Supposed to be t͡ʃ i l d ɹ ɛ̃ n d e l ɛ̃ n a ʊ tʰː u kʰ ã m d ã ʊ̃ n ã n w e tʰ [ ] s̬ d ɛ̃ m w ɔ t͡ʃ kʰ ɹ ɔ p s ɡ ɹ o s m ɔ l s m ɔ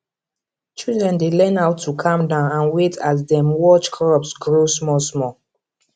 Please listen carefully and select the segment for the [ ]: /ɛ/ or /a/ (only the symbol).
a